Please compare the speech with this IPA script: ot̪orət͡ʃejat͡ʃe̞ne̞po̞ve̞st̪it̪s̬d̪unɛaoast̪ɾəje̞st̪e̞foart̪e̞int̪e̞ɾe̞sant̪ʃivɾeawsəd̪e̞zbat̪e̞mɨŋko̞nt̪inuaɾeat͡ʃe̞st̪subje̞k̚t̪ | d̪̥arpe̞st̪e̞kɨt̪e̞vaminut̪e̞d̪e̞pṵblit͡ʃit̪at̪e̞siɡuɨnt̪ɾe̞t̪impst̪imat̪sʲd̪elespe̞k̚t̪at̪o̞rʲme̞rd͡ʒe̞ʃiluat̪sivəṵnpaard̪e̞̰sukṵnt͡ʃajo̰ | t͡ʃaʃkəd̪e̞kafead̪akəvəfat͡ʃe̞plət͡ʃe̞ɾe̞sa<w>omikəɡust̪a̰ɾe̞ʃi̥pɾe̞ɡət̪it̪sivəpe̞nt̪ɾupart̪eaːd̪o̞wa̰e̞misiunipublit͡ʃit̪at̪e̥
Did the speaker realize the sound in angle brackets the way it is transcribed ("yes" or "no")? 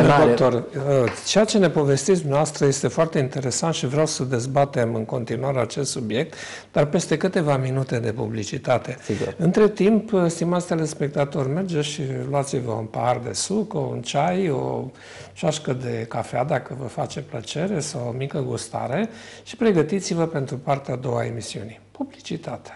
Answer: yes